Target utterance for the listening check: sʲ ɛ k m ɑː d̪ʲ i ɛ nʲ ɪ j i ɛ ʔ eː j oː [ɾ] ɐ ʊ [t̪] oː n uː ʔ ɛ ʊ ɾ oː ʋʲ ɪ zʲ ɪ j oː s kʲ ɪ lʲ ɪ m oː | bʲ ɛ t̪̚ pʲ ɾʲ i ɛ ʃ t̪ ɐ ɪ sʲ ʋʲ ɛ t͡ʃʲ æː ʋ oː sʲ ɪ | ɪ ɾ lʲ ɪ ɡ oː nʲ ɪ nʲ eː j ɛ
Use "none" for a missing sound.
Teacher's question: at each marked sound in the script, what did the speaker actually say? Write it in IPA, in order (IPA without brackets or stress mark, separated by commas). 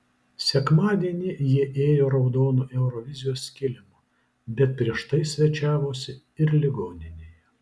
ɾ, d̪